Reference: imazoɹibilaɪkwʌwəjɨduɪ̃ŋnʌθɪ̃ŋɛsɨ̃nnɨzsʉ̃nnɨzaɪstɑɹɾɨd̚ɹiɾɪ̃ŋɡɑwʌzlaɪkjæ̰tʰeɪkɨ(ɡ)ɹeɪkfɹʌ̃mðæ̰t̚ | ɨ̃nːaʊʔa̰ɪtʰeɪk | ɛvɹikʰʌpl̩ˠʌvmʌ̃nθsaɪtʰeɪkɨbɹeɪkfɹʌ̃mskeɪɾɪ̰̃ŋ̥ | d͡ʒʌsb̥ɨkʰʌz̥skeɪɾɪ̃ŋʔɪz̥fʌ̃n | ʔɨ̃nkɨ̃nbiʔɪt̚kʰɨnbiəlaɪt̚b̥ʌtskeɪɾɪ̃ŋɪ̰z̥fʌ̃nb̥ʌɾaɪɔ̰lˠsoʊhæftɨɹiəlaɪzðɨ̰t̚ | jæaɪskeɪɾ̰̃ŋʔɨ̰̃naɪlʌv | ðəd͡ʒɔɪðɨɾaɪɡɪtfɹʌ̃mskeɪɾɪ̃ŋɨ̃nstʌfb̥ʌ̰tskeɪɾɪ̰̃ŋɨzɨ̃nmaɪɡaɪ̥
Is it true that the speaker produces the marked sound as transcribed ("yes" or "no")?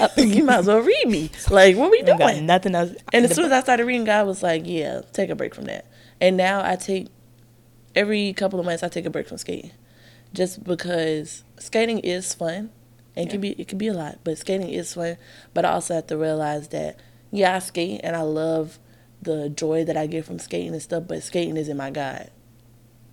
no